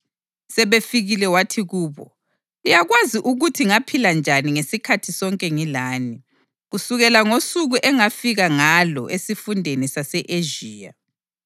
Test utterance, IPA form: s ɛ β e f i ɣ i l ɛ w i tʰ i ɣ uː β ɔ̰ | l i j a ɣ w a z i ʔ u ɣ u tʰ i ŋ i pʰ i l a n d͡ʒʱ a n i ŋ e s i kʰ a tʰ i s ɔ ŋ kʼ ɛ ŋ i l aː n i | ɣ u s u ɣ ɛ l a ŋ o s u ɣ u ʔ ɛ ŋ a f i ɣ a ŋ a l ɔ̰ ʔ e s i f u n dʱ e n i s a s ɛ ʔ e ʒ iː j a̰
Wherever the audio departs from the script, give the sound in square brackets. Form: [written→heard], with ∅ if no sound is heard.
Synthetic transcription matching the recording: s ɛ β e f i ɣ i l ɛ w [i→a] tʰ i ɣ uː β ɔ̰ | l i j a ɣ w a z i ʔ u ɣ u tʰ i ŋ [i→a] pʰ i l a n d͡ʒʱ a n i ŋ e s i kʰ a tʰ i s ɔ ŋ kʼ ɛ ŋ i l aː n i | ɣ u s u ɣ ɛ l a ŋ o s u ɣ u ʔ ɛ ŋ a f i ɣ a ŋ a l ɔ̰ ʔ e s i f u n dʱ e n i s a s ɛ ʔ e ʒ iː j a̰